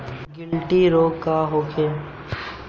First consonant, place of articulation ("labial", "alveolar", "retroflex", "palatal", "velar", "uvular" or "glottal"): velar